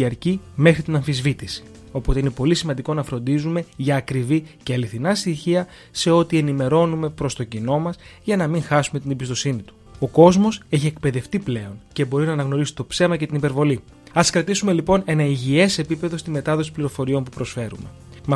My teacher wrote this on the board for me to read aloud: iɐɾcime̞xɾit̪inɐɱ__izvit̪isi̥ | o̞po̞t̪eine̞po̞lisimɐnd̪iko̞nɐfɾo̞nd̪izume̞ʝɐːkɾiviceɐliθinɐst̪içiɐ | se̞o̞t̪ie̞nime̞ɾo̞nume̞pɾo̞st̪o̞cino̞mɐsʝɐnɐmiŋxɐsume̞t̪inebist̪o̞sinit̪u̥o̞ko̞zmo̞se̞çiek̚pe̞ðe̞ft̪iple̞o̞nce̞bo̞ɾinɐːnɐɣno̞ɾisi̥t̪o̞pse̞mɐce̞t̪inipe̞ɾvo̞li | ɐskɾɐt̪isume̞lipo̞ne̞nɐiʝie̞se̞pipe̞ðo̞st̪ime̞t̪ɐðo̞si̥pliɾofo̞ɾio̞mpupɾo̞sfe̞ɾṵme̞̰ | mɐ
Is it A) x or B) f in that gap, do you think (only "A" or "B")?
B